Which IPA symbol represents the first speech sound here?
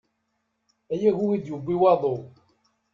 æ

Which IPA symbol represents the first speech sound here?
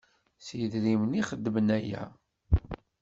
s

